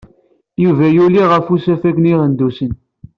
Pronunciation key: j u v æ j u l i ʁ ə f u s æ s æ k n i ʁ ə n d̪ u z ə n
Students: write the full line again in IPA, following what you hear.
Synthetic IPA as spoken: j u v æ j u l i ʁ ə f u s æ f æ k n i ʁ ə n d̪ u s ə n